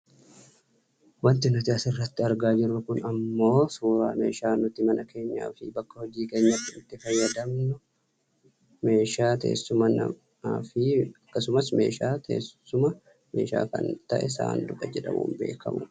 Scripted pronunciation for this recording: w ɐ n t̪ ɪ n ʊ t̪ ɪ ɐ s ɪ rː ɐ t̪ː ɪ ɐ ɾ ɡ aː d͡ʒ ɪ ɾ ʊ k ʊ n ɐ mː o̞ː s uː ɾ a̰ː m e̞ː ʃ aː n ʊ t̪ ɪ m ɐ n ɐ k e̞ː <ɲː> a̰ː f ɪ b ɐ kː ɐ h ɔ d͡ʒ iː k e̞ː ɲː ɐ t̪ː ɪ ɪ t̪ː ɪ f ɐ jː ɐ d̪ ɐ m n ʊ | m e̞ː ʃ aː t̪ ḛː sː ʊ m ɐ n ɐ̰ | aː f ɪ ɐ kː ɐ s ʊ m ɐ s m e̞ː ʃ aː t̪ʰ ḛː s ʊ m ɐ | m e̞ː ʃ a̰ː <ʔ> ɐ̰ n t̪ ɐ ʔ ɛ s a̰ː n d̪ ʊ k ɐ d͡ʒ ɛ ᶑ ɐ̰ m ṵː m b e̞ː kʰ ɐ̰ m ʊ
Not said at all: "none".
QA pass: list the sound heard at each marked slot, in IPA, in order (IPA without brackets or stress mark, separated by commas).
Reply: ɲː, k